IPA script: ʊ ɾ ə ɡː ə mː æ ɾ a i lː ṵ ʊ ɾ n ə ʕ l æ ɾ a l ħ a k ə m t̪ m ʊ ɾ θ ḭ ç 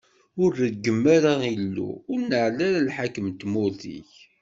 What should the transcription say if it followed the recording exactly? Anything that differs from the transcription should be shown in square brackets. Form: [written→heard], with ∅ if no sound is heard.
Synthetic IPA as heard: ʊ ɾ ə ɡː ə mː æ ɾ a i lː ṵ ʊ ɾ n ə ʕ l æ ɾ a l ħ a k ə m t̪ m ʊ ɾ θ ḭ ç